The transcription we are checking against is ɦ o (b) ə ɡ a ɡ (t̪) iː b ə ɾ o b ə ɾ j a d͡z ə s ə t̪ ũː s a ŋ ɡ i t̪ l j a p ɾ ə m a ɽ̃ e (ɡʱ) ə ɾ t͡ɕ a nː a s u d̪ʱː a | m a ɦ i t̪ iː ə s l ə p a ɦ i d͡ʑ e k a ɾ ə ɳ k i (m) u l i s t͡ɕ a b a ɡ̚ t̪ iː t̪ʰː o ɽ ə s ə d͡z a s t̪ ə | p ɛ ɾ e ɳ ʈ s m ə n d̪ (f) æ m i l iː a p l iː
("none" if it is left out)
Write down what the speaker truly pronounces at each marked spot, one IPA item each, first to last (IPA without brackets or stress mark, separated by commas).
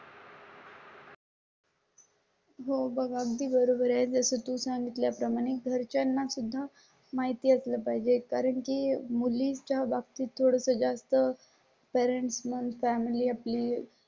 b, d̪, ɡʱ, m, f